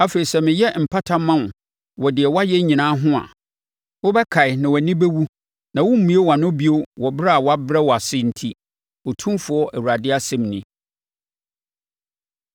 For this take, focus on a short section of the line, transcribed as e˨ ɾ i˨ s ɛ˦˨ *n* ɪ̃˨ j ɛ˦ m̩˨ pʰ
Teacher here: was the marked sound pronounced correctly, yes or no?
no